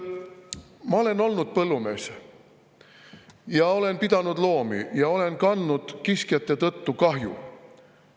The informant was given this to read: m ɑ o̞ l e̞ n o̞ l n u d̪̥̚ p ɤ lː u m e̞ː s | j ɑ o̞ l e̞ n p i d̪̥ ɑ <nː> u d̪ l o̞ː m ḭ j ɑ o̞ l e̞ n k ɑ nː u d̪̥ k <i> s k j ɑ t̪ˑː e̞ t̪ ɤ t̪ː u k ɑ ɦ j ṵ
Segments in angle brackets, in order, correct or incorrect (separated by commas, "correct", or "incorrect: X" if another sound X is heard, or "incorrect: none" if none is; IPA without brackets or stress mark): incorrect: n, correct